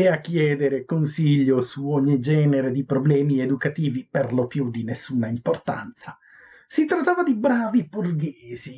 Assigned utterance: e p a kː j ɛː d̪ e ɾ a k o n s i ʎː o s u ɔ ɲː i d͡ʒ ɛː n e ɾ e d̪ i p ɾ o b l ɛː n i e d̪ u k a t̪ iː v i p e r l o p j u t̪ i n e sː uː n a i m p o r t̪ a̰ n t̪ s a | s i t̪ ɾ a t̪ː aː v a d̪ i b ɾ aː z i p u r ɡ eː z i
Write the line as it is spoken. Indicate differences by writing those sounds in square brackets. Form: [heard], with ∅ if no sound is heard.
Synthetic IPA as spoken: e [∅] a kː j ɛː d̪ e ɾ [e] k o n s i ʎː o s u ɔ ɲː i d͡ʒ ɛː n e ɾ e d̪ i p ɾ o b l ɛː [m] i e d̪ u k a t̪ iː v i p e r l o p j u [d̪] i n e sː uː n a i m p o r t̪ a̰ n t̪ s a | s i t̪ ɾ a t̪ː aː v a d̪ i b ɾ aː [v] i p u r ɡ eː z i

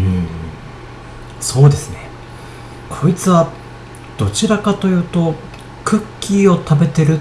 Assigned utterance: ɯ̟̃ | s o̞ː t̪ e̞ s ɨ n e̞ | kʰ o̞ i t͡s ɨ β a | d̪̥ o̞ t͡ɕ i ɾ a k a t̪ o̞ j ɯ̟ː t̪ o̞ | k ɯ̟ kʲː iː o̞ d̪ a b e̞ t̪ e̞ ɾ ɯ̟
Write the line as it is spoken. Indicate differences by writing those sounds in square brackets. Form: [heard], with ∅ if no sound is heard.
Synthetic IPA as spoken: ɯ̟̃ | s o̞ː [d̪] e̞ s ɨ n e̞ | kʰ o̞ i t͡s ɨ β a | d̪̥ o̞ t͡ɕ i ɾ a k a t̪ o̞ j ɯ̟ː t̪ o̞ | k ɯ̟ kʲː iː o̞ [t̪] a b e̞ t̪ e̞ ɾ ɯ̟

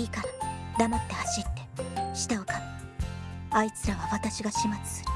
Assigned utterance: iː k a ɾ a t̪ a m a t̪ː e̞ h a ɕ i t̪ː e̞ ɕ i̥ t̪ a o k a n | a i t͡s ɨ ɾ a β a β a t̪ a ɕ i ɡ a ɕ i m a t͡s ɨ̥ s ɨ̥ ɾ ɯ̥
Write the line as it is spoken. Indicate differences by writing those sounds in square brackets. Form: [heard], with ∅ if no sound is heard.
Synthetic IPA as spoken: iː k a ɾ a [d̪] a m a t̪ː e̞ h a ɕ i t̪ː e̞ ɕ i̥ t̪ a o k a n | a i t͡s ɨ ɾ a β a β a t̪ a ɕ i ɡ a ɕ i m a t͡s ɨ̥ s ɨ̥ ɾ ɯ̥

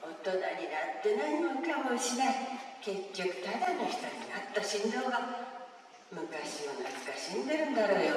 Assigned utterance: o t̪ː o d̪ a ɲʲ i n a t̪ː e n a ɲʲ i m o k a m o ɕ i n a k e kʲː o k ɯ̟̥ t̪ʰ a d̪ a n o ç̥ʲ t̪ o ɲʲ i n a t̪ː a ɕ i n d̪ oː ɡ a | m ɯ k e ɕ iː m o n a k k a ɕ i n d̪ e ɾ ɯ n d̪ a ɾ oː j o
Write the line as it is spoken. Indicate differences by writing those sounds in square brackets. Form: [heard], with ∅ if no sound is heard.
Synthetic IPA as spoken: o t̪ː o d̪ a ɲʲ i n a t̪ː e n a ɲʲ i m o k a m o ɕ i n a k e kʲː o k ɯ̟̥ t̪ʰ a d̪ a n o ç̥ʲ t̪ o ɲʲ i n a t̪ː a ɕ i n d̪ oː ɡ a | m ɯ k [a] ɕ [i] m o n a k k a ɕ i n d̪ e ɾ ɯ n d̪ a ɾ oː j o

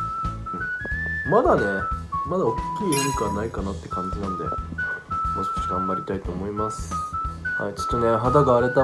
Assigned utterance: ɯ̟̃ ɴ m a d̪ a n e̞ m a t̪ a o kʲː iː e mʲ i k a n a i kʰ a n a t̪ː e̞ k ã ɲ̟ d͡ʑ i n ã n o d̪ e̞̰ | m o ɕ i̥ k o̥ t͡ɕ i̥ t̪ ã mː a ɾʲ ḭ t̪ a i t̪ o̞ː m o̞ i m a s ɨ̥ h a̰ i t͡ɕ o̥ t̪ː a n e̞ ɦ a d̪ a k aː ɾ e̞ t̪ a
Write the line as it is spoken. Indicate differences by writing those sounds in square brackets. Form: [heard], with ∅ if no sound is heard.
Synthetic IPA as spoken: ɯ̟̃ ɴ m a d̪ a n e̞ m a [d̪] a o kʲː iː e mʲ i k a n a i [k] a n a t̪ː e̞ k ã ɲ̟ d͡ʑ i n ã n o d̪ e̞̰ | m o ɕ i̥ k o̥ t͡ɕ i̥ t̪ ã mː a ɾʲ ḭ t̪ a i t̪ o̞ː m o̞ i m a s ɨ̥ h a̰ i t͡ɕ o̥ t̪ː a n e̞ ɦ a d̪ a [ɡ] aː ɾ e̞ t̪ a

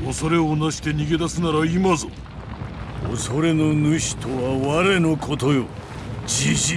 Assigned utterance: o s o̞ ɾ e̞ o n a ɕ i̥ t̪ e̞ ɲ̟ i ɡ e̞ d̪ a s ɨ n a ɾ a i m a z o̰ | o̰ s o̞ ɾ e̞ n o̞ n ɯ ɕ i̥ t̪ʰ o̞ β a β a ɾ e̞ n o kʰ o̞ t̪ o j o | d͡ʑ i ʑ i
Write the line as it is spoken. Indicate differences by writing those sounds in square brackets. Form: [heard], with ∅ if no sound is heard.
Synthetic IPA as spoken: o s o̞ ɾ e̞ o n a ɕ i̥ t̪ e̞ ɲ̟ i ɡ e̞ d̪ a s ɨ n a ɾ a i m a z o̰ | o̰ s o̞ ɾ e̞ n o̞ n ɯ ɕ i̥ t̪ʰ o̞ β a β a ɾ e̞ n o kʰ o̞ t̪ o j o | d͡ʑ i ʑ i

